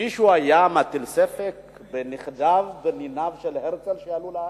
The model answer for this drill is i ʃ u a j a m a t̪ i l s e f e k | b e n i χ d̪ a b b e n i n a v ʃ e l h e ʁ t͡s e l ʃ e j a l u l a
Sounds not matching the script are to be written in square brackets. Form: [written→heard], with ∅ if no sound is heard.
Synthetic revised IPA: i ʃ u a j a m a t̪ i l s e f e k | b e n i χ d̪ a [b→v] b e n i n a v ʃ e l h e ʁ t͡s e l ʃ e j a l u l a